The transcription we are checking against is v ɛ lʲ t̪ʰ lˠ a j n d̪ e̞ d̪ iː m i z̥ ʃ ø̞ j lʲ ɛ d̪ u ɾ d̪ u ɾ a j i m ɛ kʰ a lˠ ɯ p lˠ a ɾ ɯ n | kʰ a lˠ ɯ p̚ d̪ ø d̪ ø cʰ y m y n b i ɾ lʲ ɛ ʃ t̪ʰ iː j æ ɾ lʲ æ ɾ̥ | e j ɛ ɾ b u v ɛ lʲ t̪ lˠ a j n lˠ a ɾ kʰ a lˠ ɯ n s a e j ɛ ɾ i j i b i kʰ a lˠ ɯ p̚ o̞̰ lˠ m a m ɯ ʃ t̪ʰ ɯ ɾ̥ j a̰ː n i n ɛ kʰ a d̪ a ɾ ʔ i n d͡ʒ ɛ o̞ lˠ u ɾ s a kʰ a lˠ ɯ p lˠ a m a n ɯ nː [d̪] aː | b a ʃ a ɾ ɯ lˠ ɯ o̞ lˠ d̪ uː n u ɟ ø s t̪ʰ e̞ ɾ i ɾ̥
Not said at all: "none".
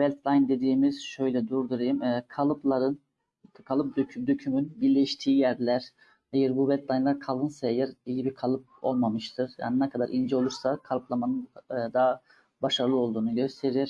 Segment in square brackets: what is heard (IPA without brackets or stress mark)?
d̪